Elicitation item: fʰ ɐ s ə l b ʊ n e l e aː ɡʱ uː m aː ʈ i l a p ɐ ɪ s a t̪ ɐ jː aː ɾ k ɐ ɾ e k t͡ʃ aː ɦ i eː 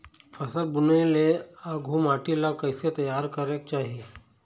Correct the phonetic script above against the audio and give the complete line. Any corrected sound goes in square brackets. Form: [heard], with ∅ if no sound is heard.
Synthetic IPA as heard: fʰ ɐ s ə l b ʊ n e l e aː ɡʱ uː m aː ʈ i l a [k] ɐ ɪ s [e] t̪ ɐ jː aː ɾ k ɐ ɾ e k t͡ʃ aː ɦ i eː